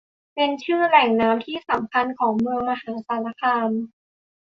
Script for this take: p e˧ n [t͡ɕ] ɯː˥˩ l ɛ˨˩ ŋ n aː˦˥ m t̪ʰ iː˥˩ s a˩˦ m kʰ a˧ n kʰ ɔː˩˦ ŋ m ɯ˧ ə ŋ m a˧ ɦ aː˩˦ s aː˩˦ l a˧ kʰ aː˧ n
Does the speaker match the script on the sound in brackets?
no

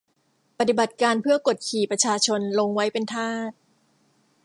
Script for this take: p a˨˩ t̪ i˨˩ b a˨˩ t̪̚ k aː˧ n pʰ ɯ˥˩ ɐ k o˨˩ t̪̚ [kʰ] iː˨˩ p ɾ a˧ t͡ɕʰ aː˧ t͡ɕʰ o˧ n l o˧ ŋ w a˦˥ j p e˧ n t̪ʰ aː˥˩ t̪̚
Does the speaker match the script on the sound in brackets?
yes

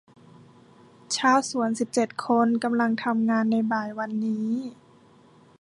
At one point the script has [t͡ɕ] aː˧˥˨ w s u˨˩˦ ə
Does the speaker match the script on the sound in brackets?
no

